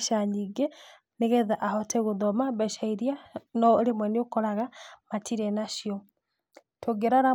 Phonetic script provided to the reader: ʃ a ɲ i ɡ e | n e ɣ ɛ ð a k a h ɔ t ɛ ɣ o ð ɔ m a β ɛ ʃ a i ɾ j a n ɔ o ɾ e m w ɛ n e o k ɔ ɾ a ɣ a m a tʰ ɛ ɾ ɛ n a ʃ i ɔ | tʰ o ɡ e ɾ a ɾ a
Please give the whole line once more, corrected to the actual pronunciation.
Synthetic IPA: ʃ a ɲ i ɡ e | n e ɣ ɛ ð a ʔ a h ɔ t ɛ ɣ o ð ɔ m a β ɛ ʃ a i ɾ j a n ɔ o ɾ e m w ɛ n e o k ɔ ɾ a ɣ a m a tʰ i ɾ ɛ n a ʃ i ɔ | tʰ o ɡ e ɾ a ɾ a